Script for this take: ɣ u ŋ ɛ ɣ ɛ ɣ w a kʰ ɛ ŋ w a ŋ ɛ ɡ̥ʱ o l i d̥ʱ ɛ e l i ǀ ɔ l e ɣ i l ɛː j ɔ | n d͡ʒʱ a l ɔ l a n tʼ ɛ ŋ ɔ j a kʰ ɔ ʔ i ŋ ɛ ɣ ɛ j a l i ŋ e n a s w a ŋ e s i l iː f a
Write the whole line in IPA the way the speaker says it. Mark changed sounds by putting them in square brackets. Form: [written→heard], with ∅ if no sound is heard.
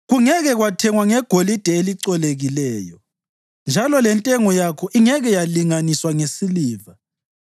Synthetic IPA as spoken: ɣ u ŋ ɛ ɣ ɛ ɣ w a [kʰ→tʰ] ɛ ŋ w a ŋ ɛ ɡ̥ʱ o l i d̥ʱ ɛ e l i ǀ ɔ l e ɣ i l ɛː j ɔ | n d͡ʒʱ a l ɔ l [a→ɛ] n tʼ ɛ ŋ ɔ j a kʰ ɔ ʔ i ŋ ɛ ɣ ɛ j a l i ŋ [e→a] n [a→i] s w a ŋ e s i l iː [f→v] a